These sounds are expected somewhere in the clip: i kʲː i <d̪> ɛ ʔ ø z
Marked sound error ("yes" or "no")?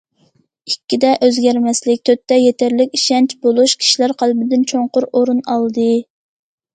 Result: no